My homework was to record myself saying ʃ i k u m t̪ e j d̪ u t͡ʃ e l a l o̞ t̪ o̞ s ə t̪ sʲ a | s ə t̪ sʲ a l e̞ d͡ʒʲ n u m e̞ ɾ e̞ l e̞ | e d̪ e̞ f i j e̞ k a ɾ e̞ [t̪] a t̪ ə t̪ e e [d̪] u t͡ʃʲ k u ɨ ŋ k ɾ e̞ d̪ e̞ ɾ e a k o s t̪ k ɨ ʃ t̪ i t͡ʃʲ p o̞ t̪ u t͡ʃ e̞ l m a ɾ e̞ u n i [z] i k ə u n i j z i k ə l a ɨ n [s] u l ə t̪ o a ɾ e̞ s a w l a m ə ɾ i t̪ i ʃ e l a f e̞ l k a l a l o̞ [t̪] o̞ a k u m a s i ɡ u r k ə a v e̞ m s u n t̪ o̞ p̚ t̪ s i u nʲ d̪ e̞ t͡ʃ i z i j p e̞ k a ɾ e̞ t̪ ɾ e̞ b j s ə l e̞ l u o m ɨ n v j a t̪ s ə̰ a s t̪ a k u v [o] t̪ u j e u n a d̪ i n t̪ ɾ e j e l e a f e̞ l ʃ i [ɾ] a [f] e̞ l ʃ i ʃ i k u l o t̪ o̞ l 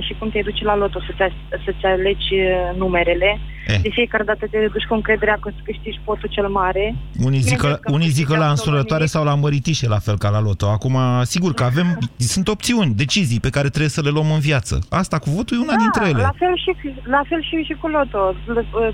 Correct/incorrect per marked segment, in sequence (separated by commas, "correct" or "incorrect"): incorrect, correct, correct, correct, correct, correct, incorrect, correct